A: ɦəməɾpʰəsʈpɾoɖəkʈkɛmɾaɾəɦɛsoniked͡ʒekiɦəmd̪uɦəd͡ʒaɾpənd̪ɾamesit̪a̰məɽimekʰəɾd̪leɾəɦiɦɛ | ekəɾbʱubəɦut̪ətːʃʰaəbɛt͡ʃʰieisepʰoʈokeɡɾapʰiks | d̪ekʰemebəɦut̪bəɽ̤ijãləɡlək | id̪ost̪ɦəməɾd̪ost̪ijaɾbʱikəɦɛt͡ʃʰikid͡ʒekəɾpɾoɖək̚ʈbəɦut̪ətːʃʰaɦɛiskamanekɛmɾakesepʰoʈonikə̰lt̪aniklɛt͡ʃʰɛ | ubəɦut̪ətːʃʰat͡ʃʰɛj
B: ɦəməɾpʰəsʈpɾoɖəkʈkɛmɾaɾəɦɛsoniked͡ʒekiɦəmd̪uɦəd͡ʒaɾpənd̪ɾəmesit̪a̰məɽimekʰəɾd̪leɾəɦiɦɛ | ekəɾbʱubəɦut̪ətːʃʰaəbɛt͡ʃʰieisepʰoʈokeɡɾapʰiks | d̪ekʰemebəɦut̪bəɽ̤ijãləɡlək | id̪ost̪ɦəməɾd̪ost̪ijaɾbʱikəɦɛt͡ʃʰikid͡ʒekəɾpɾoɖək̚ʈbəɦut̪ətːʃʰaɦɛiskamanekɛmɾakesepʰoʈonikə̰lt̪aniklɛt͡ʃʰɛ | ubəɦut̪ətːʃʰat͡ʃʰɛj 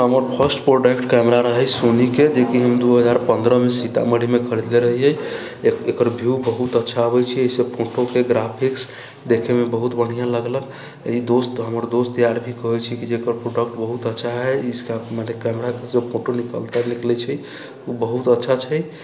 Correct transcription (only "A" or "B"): B